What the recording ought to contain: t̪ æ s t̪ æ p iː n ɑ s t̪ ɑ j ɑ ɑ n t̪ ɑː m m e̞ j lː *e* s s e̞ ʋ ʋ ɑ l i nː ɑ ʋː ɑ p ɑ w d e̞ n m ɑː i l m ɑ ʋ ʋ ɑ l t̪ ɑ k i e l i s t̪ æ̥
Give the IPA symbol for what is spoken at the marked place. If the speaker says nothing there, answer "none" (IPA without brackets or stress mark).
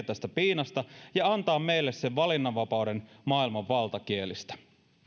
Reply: e